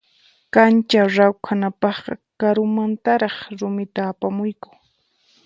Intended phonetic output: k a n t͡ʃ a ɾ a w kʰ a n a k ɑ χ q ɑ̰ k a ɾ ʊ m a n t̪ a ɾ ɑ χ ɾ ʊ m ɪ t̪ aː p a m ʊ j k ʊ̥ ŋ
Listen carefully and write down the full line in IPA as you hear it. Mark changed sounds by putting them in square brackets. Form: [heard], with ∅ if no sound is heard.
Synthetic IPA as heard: k a n t͡ʃ a ɾ a w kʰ a n a [p] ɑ χ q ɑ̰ k a ɾ ʊ m a n t̪ a ɾ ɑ χ ɾ ʊ m ɪ t̪ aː p a m ʊ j k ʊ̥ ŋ